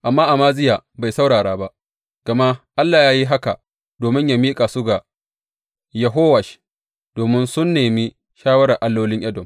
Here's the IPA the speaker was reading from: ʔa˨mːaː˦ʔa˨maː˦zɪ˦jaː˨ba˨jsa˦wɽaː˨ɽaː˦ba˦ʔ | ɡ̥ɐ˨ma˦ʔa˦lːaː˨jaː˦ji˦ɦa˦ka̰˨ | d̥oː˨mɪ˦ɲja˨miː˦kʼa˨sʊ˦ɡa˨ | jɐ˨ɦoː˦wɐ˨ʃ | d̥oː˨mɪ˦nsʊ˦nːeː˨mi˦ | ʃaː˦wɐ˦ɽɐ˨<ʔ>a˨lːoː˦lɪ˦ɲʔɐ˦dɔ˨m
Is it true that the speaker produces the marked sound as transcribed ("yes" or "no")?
yes